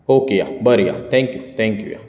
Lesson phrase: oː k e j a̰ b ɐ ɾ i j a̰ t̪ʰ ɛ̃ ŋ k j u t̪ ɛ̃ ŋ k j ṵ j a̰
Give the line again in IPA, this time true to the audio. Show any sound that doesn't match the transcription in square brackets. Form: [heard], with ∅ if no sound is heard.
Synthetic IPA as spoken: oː k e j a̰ b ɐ ɾ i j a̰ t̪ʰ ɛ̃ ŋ k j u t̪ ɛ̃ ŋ k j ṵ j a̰